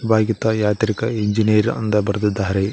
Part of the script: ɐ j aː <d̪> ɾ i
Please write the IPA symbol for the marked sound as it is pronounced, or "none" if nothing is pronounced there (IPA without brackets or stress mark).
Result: t̪